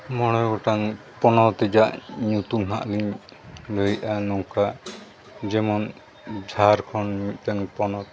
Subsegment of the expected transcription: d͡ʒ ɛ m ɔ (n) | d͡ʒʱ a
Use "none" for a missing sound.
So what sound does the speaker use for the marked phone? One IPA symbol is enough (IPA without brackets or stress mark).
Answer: n